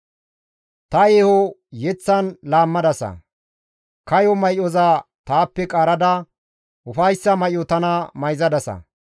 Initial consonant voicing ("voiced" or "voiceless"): voiceless